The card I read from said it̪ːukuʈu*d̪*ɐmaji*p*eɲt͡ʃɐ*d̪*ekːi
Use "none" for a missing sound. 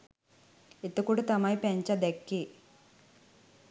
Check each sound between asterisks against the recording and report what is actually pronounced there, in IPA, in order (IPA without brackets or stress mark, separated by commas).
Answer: t̪, p, d̪